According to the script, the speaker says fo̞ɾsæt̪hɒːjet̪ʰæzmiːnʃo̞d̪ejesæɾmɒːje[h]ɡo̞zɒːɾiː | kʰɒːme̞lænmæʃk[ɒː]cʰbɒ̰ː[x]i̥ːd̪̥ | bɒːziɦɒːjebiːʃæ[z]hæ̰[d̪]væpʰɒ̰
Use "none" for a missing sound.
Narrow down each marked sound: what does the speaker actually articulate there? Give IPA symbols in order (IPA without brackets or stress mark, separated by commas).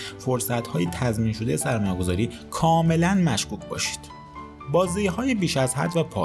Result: none, uː, ʃ, z, d̪